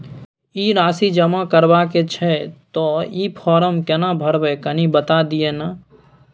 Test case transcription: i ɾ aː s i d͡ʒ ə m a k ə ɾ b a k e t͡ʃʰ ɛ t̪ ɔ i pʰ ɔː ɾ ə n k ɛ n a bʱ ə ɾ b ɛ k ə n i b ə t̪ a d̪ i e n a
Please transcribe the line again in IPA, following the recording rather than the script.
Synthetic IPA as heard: i ɾ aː s i d͡ʒ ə m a k ə ɾ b a k e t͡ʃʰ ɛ t̪ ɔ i pʰ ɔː ɾ ə m k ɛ n a bʱ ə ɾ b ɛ k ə n i b ə t̪ a d̪ i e n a